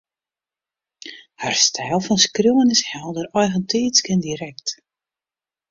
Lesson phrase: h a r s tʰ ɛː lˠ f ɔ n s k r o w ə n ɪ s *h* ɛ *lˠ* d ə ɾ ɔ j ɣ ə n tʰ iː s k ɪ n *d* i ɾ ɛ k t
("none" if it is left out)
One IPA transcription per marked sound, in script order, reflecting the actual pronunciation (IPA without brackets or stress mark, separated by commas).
h, lˠ, d